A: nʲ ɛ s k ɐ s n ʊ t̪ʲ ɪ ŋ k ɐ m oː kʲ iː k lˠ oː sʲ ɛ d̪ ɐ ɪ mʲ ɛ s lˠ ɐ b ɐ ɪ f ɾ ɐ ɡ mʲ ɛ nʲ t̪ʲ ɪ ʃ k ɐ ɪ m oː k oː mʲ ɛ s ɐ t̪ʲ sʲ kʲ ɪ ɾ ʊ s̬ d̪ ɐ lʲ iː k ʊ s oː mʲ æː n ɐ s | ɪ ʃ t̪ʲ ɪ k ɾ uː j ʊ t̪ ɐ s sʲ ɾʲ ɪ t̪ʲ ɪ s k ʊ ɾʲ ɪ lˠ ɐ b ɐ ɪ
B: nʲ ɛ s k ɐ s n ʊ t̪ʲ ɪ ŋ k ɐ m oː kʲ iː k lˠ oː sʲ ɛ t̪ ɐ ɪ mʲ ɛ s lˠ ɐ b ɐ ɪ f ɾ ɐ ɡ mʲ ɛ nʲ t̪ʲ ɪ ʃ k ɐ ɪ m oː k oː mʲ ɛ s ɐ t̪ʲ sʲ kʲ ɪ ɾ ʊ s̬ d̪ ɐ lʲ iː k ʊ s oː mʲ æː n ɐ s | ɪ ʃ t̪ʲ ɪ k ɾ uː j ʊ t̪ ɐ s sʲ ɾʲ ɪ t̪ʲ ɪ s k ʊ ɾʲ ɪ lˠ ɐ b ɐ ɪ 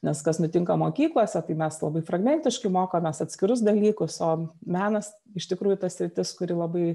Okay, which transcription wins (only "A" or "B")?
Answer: B